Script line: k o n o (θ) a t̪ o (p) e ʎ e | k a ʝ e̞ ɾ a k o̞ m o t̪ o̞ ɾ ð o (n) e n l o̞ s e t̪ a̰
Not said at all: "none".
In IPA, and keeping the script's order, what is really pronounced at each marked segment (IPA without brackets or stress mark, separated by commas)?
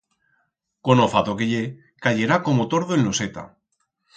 f, k, none